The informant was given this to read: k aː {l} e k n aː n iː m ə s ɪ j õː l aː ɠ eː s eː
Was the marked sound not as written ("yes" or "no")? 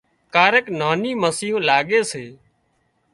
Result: yes